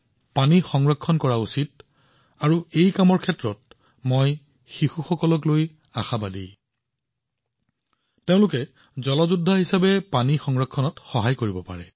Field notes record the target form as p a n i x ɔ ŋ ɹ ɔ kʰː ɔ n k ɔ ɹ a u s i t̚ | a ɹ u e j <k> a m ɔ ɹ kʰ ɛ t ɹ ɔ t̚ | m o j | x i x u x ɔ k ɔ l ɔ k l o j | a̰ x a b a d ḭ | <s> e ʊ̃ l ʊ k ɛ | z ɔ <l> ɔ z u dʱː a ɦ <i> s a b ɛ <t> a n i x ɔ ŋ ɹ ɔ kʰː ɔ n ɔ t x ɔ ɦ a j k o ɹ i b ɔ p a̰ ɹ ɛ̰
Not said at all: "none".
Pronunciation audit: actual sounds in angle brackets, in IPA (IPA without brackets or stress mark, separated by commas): k, t, l, i, p